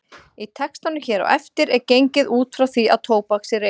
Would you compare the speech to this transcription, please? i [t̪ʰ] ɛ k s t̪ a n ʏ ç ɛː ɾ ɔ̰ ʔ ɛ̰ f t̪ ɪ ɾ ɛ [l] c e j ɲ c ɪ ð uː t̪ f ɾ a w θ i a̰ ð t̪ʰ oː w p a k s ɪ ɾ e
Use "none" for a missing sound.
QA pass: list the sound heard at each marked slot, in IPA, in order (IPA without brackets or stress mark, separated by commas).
t̪ʰ, ɾ